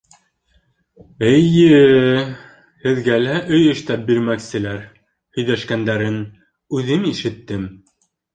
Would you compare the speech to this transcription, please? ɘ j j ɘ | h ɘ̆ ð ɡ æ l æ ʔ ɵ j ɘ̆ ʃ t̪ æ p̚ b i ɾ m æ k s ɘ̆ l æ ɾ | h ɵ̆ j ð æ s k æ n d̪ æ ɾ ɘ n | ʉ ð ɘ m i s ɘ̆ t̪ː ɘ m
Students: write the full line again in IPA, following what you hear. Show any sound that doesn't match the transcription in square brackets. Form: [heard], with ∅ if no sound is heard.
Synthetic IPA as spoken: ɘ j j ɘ | h ɘ̆ ð ɡ æ l æ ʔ ɵ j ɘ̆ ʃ t̪ æ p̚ b i ɾ m æ k s ɘ̆ l æ ɾ | h ɵ̆ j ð æ [ʃ] k æ n d̪ æ ɾ ɘ n | ʉ ð ɘ m i [ʃ] ɘ̆ t̪ː ɘ m